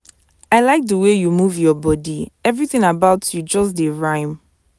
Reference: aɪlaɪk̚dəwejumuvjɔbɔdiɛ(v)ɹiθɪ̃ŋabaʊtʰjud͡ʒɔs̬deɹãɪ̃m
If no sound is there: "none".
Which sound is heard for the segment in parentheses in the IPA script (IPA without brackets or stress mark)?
v